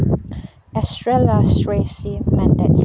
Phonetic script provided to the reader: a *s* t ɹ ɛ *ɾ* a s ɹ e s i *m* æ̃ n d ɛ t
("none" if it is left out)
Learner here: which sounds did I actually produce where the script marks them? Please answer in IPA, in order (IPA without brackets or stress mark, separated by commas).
s, l, m